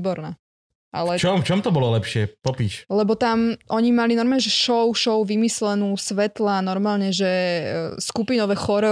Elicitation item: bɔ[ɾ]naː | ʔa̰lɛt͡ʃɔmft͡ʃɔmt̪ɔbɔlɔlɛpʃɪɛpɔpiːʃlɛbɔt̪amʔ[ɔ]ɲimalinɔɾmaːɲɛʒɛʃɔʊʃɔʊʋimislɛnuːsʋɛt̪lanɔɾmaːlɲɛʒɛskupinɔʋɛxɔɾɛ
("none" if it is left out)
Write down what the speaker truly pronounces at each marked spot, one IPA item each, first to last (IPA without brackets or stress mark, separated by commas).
ɾ, ɔ